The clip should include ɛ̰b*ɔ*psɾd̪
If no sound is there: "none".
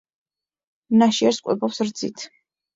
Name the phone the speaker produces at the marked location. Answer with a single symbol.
ɔ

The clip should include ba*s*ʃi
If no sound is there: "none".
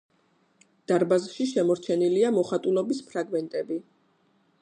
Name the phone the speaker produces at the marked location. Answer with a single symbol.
z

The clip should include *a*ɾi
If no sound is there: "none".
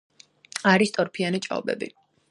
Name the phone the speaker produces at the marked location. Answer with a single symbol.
a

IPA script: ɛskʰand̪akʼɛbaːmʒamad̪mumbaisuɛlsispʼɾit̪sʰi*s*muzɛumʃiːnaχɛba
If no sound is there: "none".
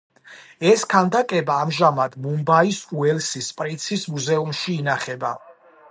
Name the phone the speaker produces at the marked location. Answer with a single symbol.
s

